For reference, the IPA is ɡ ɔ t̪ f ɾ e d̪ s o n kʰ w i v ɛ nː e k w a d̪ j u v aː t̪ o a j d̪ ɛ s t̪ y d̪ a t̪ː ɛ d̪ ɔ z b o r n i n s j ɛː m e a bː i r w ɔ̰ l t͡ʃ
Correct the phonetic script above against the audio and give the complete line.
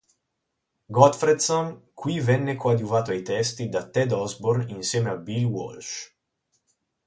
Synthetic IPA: ɡ ɔ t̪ f ɾ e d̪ s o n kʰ w i v ɛ nː e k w a d̪ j u v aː t̪ o a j t̪ ɛ s t̪ i d̪ a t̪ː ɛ d̪ ɔ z b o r n i n s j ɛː m e a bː i l w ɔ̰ l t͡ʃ